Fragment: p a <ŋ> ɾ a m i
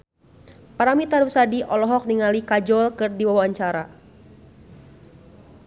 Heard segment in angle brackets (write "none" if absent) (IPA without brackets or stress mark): none